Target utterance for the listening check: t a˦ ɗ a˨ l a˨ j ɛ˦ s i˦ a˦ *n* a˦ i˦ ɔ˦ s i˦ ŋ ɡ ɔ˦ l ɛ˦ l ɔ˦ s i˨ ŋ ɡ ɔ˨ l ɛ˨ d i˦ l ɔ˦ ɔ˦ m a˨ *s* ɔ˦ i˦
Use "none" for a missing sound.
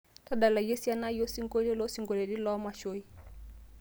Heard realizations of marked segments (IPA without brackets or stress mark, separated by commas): n, ʃ